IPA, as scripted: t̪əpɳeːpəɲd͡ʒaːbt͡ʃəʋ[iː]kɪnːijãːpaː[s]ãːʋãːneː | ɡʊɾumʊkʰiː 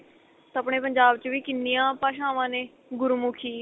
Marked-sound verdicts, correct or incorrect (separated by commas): correct, incorrect